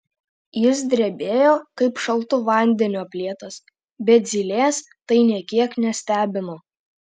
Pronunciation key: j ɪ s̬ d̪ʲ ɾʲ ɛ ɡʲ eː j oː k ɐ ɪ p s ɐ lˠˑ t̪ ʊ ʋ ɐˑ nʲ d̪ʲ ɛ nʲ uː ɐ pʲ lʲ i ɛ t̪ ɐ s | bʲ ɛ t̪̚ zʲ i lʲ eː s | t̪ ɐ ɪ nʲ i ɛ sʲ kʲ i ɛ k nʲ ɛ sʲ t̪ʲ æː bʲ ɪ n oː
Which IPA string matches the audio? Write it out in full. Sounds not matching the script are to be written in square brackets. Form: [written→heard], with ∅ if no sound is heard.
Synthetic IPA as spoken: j ɪ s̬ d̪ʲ ɾʲ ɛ [ɡʲ→bʲ] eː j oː k ɐ ɪ p [s→ʃ] ɐ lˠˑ t̪ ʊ ʋ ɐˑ nʲ d̪ʲ ɛ nʲ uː ɐ pʲ lʲ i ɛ t̪ ɐ s | bʲ ɛ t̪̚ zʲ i lʲ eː s | t̪ ɐ ɪ nʲ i ɛ [sʲ→∅] kʲ i ɛ k nʲ ɛ sʲ t̪ʲ æː bʲ ɪ n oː